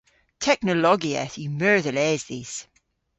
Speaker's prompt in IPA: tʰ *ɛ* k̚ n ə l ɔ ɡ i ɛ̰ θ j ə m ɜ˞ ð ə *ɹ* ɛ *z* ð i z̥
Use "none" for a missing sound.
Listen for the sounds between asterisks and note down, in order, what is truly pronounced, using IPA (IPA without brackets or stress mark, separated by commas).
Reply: ɛ, l, z